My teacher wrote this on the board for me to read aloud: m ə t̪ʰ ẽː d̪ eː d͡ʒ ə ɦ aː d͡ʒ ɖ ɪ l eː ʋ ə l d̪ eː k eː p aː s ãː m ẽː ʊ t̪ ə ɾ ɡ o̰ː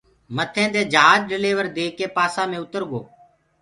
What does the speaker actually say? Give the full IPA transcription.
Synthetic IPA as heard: m ə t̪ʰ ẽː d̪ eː d͡ʒ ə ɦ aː d͡ʒ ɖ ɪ l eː ʋ ə ɾ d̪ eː k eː p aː s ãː m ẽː ʊ t̪ ə ɾ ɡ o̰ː